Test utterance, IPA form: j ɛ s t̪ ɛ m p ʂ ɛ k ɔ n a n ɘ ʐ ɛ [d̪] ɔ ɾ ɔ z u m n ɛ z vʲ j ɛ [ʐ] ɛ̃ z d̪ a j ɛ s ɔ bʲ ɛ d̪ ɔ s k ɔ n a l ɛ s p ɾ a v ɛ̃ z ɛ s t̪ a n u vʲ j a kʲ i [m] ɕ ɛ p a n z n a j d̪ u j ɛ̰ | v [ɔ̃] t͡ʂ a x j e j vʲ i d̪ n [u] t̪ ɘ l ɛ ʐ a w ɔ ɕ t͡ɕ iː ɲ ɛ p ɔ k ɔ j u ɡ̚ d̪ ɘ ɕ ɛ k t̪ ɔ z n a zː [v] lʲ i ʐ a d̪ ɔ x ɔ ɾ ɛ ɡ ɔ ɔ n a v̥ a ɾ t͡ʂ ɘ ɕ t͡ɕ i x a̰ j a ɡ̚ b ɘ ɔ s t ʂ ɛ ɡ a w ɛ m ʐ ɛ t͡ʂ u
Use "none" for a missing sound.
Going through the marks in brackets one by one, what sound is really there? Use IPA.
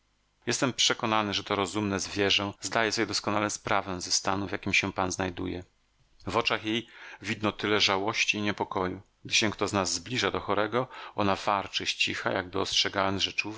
t̪, ʐ, m, ɔ, ɔ, b

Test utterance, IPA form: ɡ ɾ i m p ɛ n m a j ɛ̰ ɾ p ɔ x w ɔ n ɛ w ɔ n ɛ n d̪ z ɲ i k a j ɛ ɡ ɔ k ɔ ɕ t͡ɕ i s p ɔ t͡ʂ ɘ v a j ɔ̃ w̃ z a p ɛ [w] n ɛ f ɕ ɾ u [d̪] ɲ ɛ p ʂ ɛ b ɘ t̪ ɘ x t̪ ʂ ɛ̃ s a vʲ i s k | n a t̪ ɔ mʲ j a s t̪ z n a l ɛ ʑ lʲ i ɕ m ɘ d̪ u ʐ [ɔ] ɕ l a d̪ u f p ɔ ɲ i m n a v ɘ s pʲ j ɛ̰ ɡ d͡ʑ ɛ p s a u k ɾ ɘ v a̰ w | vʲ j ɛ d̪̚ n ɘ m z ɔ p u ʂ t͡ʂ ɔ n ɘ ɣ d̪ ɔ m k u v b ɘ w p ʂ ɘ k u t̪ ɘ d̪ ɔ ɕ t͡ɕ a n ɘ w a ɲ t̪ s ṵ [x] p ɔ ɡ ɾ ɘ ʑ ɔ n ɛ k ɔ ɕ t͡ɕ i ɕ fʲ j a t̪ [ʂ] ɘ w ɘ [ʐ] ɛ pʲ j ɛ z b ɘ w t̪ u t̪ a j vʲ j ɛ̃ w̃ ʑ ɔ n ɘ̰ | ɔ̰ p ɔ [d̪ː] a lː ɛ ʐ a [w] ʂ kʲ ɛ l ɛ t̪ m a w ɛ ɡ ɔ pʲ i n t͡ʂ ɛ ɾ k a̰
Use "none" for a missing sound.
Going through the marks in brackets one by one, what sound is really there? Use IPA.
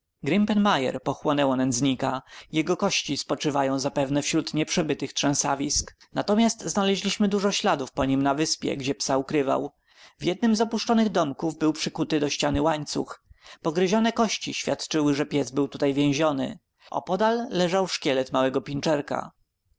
v, t̪, ɔ, x, t͡ʂ, ʐ, d̪, w

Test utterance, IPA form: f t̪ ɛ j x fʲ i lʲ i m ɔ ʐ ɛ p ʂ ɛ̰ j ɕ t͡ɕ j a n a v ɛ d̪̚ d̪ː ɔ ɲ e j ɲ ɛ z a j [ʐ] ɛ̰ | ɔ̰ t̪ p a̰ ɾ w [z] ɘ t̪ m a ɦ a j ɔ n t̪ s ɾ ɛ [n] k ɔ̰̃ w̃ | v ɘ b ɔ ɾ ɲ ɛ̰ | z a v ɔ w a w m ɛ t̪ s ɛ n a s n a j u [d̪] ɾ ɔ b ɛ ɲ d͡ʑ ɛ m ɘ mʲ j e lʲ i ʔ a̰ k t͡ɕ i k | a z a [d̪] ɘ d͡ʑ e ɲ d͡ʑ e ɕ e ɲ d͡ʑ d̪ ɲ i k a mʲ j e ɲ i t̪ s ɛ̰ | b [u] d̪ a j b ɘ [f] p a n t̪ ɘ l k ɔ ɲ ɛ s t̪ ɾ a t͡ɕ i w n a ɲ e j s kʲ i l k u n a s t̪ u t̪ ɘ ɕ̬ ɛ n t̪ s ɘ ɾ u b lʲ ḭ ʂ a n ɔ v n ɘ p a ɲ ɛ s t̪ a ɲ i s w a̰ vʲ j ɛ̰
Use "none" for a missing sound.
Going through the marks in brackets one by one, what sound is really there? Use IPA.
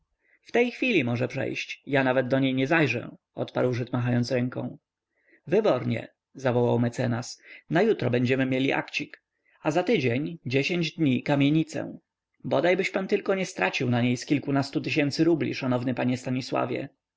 ʐ, ʐ, ŋ, t̪, t̪, ɔ, ɕ

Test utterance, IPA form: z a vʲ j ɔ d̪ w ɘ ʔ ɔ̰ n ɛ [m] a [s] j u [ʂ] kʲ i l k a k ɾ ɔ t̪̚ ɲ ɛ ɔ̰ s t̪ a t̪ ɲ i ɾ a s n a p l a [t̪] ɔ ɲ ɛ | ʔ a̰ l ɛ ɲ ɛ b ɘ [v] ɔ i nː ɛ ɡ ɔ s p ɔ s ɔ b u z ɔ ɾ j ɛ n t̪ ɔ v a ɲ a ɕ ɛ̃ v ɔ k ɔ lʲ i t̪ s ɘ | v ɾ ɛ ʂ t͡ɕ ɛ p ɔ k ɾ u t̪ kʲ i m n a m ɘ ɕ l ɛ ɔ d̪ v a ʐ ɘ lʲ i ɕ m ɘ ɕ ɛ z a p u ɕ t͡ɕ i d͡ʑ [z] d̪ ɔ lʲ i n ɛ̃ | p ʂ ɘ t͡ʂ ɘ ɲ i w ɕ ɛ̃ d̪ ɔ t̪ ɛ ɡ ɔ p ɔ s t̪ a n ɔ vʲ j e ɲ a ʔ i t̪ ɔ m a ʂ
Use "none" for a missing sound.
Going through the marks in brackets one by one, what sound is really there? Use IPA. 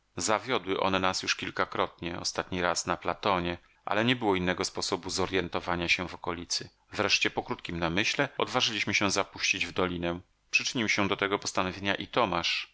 n, s, ʂ, t̪, w, v

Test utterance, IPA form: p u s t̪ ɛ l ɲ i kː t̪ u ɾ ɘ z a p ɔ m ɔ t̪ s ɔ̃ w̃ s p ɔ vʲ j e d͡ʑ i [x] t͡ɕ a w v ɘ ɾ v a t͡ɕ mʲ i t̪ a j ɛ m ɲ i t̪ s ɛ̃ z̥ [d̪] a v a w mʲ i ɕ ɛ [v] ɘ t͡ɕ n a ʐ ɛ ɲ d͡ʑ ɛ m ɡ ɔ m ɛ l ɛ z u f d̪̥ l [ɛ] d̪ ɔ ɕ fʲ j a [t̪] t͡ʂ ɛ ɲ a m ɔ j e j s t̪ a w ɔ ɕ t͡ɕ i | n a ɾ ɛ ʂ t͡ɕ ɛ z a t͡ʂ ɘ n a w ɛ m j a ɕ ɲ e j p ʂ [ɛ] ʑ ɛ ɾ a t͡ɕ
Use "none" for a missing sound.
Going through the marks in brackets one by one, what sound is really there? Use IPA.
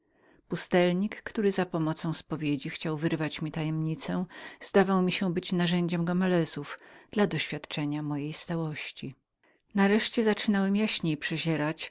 x, d̪, b, a, t̪, ɛ

